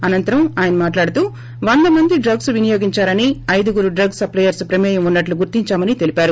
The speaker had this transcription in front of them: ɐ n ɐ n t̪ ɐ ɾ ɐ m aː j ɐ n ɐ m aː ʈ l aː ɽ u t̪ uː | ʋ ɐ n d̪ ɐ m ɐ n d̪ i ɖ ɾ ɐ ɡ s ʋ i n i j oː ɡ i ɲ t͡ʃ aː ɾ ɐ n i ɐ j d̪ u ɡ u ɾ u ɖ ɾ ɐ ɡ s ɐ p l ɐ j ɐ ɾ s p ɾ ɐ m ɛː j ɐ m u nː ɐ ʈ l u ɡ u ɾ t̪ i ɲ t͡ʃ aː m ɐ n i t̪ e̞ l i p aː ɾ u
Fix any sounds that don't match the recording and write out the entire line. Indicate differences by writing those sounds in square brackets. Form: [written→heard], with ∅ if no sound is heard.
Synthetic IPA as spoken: ɐ n ɐ n t̪ ɐ ɾ ɐ m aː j ɐ n ɐ m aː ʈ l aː ɽ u t̪ uː | ʋ ɐ n d̪ ɐ m ɐ n d̪ i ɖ ɾ ɐ ɡ s ʋ i n i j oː ɡ i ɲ t͡ʃ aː ɾ ɐ n i ɐ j d̪ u ɡ u ɾ u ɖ ɾ ɐ ɡ s ɐ p l ɐ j ɐ ɾ s p ɾ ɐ m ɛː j ɐ m u nː ɐ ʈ l u ɡ u ɾ t̪ i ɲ t͡ʃ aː m ɐ n i t̪ e̞ l i p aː ɾ u

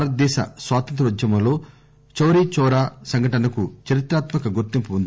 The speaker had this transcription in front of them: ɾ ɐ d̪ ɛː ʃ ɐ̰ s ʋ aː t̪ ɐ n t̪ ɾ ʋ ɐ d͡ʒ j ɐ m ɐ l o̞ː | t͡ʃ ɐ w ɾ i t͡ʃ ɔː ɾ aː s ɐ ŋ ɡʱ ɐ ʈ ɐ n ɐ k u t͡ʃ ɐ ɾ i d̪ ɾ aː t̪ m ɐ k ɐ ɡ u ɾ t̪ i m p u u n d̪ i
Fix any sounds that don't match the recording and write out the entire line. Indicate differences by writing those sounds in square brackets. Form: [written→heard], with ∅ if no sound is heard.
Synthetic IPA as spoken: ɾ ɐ d̪ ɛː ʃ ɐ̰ s ʋ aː t̪ ɐ n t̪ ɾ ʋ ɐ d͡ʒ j ɐ m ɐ l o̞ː | t͡ʃ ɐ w ɾ i t͡ʃ ɔː ɾ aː s ɐ ŋ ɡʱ ɐ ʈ ɐ n ɐ k u t͡ʃ ɐ ɾ i [d̪→t̪] ɾ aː t̪ m ɐ k ɐ ɡ u ɾ t̪ i m p u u n d̪ i

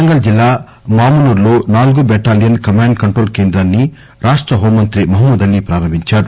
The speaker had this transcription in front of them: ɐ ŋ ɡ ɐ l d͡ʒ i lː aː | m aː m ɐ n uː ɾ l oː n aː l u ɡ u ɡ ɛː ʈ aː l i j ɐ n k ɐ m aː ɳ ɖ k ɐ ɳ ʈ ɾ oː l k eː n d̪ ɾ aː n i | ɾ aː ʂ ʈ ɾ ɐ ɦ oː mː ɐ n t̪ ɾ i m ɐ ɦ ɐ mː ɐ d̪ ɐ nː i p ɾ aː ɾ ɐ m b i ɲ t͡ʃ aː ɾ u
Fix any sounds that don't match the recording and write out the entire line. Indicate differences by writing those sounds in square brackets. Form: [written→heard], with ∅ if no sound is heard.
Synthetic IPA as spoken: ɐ ŋ ɡ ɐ l d͡ʒ i lː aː | m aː m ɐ n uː ɾ l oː n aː l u ɡ u [ɡ→b] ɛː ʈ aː l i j ɐ n k ɐ m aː ɳ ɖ k ɐ ɳ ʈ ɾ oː l k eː n d̪ ɾ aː [n→nː] i | ɾ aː ʂ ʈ ɾ ɐ ɦ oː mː ɐ n t̪ ɾ i m ɐ ɦ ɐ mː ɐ d̪ ɐ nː i p ɾ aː ɾ ɐ m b i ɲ t͡ʃ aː ɾ u

